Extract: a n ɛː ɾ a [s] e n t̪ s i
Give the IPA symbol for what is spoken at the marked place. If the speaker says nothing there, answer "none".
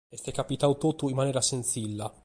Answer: s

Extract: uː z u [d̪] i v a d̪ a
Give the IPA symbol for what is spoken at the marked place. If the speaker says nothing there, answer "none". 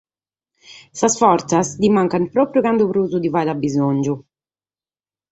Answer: d̪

